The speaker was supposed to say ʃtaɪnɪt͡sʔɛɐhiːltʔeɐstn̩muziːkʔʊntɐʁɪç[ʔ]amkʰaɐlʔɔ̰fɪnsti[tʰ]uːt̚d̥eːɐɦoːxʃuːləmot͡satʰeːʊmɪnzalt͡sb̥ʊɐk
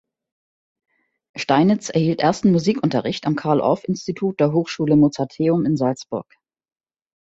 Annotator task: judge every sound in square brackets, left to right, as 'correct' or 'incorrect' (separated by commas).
incorrect, correct